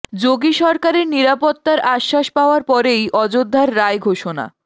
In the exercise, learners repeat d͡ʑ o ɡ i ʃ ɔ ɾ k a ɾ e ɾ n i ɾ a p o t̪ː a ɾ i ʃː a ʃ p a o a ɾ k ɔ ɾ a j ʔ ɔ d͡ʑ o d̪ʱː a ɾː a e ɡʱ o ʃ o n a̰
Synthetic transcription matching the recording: d͡ʑ o ɡ i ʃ ɔ ɾ k a ɾ e ɾ n i ɾ a p o t̪ː a ɾ a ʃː a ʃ p a o a ɾ p ɔ ɾ e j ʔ ɔ d͡ʑ o d̪ʱː a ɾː a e ɡʱ o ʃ o n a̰